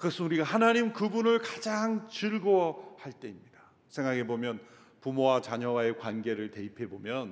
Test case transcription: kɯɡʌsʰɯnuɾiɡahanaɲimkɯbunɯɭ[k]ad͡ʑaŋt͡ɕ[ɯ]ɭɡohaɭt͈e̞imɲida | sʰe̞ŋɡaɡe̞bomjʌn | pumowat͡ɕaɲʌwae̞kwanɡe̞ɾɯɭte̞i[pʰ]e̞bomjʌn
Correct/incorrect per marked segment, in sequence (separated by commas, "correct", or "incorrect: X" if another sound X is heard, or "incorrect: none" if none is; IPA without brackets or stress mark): correct, correct, correct